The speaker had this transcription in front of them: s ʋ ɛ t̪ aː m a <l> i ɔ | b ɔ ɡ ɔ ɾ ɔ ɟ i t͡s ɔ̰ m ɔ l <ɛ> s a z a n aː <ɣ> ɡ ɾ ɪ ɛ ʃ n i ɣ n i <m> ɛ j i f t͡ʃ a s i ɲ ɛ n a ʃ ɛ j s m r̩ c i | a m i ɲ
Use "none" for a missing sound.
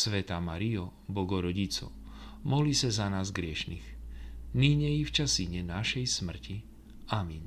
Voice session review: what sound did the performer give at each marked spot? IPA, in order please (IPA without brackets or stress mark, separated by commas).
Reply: ɾ, i, z, ɲ